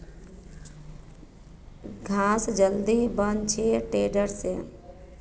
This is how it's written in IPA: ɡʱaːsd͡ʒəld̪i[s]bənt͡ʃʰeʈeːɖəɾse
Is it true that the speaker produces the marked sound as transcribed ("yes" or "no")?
no